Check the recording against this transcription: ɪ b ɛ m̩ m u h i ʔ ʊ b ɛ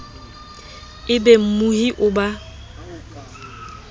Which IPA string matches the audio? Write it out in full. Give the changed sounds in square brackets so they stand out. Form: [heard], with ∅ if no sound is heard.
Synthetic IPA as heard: ɪ b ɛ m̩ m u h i ʔ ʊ b [a]